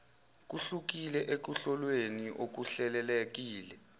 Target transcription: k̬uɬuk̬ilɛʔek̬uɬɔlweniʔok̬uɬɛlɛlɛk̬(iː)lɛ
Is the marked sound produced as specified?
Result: yes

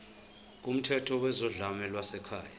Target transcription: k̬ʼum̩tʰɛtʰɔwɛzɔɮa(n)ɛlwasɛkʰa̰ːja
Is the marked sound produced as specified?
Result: no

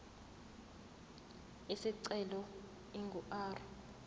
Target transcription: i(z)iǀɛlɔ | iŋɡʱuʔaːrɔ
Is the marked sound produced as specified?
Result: no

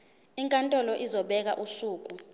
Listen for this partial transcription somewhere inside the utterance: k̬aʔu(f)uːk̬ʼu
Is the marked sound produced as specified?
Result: no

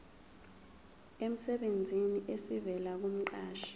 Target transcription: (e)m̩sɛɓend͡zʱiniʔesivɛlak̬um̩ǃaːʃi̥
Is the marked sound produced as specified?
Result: yes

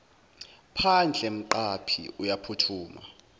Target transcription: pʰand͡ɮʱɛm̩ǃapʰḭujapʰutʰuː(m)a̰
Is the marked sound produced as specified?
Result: yes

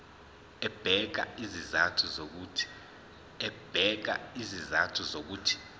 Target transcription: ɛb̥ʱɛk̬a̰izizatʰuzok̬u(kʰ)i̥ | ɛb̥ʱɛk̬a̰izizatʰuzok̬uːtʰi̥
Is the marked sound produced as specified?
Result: no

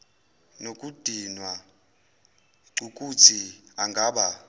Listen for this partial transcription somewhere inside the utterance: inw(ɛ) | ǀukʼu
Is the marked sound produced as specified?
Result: no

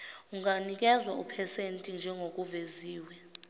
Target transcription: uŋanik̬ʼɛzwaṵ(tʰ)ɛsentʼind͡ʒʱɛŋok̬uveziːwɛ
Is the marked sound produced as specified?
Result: no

